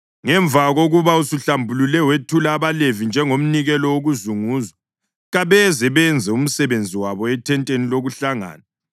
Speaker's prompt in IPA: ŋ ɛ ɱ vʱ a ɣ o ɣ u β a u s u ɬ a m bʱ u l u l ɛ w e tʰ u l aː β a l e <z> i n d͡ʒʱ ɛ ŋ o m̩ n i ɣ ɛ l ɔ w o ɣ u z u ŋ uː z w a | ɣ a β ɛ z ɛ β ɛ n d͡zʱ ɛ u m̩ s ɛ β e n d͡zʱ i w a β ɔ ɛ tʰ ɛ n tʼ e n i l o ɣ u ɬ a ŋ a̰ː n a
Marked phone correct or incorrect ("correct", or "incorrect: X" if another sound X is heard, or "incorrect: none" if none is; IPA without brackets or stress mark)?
incorrect: v